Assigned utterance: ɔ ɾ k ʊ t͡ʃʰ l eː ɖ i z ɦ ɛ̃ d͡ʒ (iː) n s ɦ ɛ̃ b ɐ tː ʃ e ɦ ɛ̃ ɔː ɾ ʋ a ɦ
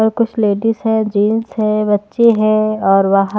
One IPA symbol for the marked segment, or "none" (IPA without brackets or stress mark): iː